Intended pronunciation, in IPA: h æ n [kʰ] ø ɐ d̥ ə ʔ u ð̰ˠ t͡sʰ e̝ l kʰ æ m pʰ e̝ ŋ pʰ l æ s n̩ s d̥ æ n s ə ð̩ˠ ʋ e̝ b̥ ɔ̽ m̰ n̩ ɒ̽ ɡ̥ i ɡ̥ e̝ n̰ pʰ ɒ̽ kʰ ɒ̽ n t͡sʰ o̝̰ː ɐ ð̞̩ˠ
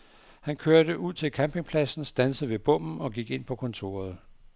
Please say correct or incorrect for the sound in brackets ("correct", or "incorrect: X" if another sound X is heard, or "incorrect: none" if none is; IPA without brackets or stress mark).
correct